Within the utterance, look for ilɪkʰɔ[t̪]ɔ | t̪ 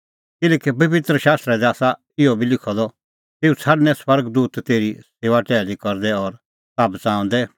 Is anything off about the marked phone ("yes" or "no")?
yes